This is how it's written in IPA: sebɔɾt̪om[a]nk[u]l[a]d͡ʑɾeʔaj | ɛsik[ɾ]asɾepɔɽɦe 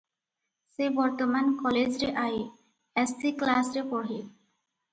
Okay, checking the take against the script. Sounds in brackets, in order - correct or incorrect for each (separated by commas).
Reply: correct, incorrect, incorrect, incorrect